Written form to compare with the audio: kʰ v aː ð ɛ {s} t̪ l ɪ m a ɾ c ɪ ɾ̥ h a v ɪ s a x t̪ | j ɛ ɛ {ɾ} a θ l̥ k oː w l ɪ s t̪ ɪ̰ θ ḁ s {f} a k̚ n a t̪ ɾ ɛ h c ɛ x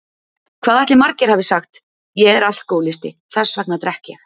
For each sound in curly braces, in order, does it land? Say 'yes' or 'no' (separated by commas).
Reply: no, yes, no